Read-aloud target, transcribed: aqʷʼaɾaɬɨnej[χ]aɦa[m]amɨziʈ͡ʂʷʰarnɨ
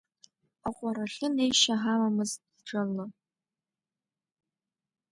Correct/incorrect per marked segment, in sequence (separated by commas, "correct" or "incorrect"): incorrect, correct